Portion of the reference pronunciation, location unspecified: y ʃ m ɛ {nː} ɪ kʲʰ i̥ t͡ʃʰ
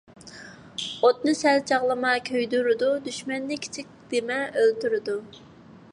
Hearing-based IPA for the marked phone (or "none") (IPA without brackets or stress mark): nː